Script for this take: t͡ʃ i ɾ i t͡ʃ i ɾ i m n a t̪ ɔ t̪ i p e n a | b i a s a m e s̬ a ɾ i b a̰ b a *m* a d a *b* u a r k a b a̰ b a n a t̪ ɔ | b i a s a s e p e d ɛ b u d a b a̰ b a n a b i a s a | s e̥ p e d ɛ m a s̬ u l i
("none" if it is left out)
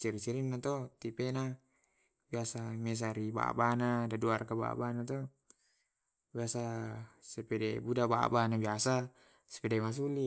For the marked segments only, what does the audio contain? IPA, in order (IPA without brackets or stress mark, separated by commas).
n, d